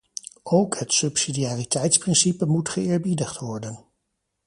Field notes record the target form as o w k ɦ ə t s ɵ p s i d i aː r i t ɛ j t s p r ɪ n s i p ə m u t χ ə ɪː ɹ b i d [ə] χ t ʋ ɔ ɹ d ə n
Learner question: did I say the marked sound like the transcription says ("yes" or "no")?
yes